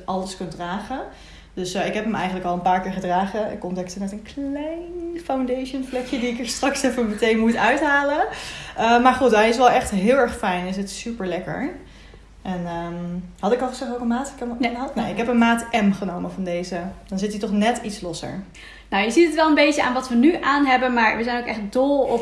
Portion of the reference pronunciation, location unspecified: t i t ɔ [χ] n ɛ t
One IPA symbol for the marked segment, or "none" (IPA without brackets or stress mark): χ